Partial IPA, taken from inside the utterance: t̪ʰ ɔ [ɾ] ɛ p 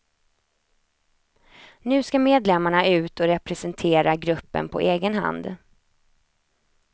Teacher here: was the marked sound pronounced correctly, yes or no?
yes